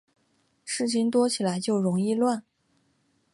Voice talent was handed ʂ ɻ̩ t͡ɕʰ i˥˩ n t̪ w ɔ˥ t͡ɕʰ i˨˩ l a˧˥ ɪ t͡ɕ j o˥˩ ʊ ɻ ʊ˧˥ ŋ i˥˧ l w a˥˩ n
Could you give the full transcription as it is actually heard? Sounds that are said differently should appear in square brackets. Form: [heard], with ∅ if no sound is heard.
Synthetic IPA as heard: ʂ ɻ̩ t͡ɕʰ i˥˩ [ŋ] t̪ w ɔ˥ t͡ɕʰ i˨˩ l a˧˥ ɪ t͡ɕ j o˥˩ ʊ ɻ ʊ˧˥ ŋ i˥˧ l w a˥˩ n